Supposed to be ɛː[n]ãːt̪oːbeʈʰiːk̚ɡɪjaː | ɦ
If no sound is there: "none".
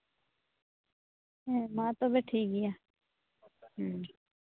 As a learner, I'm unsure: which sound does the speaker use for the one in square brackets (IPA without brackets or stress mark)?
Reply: m